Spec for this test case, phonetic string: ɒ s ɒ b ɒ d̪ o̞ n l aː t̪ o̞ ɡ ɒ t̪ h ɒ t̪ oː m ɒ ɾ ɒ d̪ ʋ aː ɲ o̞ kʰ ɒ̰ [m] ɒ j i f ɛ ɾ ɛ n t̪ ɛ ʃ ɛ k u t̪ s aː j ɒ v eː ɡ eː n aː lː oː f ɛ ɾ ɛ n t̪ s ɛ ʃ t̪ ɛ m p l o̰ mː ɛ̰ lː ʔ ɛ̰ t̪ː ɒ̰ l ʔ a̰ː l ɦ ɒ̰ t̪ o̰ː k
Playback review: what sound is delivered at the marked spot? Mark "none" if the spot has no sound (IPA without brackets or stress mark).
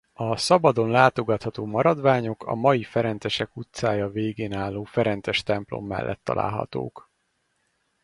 m